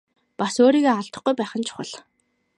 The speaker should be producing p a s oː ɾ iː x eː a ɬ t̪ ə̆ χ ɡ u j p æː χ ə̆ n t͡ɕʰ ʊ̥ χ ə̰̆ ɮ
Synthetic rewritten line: p a s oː ɾ iː ɣ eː a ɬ t̪ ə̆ χ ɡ u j p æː χ ə̆ n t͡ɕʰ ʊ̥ χ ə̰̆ ɮ